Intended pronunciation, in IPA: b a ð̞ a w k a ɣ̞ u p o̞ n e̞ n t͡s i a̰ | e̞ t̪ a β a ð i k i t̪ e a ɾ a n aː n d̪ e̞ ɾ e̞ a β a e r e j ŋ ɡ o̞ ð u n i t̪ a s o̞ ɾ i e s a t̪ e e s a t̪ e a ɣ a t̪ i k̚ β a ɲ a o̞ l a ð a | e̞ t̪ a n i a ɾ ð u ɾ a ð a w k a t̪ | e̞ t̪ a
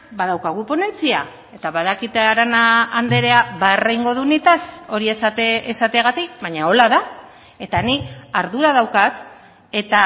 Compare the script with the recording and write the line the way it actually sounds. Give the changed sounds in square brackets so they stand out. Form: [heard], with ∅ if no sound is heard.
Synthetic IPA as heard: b a ð̞ a w k a ɣ̞ u p o̞ n e̞ n t͡s i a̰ | e̞ t̪ a β a ð [a] k i t̪ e a ɾ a n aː n d̪ e̞ ɾ e̞ a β a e r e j ŋ ɡ o̞ ð u n i t̪ a s o̞ ɾ i e s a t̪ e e s a t̪ e a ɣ a t̪ i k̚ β a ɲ a o̞ l a ð a | e̞ t̪ a n i a ɾ ð u ɾ a ð a w k a t̪ | e̞ t̪ a